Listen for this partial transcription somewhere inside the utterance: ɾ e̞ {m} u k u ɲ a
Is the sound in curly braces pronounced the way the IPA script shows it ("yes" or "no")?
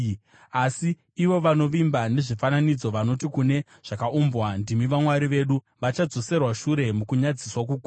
yes